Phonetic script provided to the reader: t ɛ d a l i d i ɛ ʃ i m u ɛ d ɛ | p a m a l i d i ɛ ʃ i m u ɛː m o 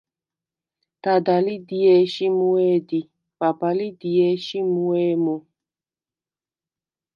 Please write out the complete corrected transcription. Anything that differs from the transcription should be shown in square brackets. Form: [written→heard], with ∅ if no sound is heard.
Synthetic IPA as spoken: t [ɛ→a] d a l i d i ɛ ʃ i m u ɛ d [ɛ→i] | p a [m→b] a l i d i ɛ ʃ i m u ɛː m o

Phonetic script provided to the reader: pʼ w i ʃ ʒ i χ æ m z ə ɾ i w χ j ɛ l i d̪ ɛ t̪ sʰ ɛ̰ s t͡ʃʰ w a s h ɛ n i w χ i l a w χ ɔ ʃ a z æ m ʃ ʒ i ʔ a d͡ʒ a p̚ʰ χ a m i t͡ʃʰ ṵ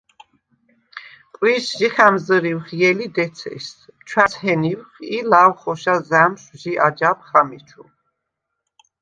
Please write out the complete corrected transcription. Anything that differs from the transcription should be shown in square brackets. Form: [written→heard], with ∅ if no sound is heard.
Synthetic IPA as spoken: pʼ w i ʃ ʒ i χ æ m z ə ɾ i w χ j ɛ l i d̪ ɛ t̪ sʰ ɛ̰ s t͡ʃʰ w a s h ɛ n i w χ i l a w χ ɔ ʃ a z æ m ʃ ʒ i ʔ a d͡ʒ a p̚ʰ χ a m i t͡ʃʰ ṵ

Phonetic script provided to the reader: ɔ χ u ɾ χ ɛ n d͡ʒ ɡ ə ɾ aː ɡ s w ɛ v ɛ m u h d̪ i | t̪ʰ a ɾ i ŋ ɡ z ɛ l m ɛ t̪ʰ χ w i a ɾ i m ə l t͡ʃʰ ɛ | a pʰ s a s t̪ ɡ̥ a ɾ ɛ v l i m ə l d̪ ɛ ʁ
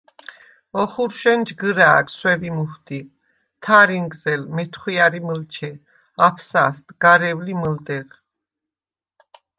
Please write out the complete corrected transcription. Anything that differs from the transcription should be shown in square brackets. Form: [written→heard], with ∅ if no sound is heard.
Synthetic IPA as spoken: ɔ χ u ɾ [χ→ʃ] ɛ n d͡ʒ ɡ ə ɾ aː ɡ s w ɛ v [ɛ→i] m u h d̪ i | t̪ʰ a ɾ i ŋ ɡ z ɛ l m ɛ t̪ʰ χ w i a ɾ i m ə l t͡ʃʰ ɛ | a pʰ s a s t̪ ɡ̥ a ɾ ɛ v l i m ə l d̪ ɛ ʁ

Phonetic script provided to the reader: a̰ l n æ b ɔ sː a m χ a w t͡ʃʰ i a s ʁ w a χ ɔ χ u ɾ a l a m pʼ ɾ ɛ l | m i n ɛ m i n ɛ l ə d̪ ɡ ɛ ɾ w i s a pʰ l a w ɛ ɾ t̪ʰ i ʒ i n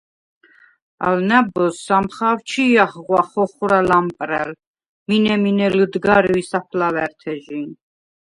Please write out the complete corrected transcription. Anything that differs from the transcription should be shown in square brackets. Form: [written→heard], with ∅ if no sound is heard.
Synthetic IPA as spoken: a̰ l n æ b ɔ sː a m χ a w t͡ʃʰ i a [s→χ] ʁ w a χ ɔ χ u ɾ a l a m pʼ ɾ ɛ l | m i n ɛ m i n ɛ l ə d̪ ɡ [ɛ→a] ɾ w i s a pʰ l a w ɛ ɾ t̪ʰ [i→ɛ] ʒ i n

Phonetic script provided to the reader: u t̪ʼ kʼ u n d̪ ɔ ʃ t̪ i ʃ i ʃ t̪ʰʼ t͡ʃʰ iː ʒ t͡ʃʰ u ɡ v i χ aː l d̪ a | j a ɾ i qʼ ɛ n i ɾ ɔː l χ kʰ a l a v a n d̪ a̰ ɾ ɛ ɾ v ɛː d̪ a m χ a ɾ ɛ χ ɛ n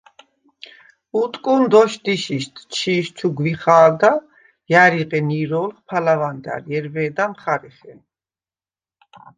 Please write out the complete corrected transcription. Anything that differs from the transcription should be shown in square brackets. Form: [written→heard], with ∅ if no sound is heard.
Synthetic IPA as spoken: u t̪ʼ kʼ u n d̪ ɔ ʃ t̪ i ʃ i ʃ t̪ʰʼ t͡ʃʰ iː [ʒ→ʃ] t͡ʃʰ u ɡ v i χ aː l d̪ a | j a ɾ i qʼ ɛ n i ɾ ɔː l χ [kʰ→pʰ] a l a v a n d̪ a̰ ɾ ɛ ɾ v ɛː d̪ a m χ a ɾ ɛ χ ɛ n

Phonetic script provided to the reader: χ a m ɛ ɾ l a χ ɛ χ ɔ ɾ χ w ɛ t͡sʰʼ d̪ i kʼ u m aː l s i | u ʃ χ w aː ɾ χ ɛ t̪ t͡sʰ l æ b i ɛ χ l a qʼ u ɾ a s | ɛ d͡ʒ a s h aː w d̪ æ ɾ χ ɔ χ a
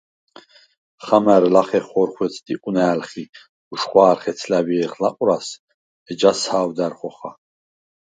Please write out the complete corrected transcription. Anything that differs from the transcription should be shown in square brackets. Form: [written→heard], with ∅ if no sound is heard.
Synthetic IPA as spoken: χ a m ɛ ɾ l a χ ɛ χ ɔ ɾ χ w ɛ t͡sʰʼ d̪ i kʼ u [m→n] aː l [s→χ] i | u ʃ χ w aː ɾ χ ɛ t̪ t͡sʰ l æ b i ɛ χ l a qʼ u ɾ a s | ɛ d͡ʒ a s h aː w d̪ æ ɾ χ ɔ χ a

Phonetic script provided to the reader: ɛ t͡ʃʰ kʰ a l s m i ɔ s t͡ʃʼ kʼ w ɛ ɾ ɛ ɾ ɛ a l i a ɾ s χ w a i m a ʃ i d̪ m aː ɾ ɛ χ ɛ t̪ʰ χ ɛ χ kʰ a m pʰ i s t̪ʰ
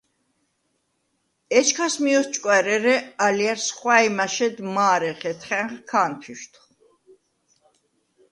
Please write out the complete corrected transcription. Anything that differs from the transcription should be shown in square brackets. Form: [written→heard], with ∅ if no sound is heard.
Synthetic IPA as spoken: ɛ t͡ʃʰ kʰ a [l→∅] s m i ɔ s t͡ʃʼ kʼ w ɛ ɾ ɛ ɾ ɛ a l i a ɾ s χ w a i m a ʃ [i→ɛ] d̪ m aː ɾ ɛ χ ɛ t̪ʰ χ ɛ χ kʰ a [m→n] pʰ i [s→ʃ] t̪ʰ

